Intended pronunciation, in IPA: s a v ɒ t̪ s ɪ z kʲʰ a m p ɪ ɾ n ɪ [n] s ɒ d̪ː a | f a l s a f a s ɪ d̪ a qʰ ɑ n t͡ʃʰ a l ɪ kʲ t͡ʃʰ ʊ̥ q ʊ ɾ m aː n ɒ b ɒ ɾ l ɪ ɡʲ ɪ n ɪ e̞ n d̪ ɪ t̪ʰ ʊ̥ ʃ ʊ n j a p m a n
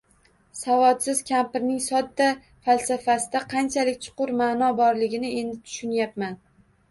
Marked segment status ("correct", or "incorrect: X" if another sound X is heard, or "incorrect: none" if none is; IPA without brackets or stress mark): incorrect: ŋ